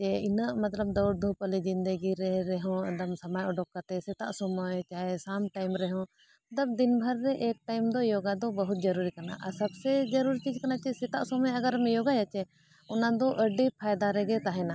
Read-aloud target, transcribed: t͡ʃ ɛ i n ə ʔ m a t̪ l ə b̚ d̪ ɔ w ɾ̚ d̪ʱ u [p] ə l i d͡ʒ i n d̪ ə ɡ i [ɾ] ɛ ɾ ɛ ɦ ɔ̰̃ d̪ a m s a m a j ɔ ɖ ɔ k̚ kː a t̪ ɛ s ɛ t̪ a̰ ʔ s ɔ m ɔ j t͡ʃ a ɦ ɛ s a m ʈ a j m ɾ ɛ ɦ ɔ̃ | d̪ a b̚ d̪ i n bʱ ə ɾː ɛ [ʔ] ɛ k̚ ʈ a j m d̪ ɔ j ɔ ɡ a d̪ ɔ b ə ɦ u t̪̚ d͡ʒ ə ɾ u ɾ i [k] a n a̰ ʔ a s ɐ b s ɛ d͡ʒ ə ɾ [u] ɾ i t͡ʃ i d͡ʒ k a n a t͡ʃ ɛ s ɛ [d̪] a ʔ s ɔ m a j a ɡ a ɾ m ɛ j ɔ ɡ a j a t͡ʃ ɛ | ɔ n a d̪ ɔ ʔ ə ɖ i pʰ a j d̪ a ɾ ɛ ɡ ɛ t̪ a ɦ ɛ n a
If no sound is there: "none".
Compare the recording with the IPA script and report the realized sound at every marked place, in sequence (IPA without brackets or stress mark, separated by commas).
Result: p, ɾ, ʔ, k, u, t̪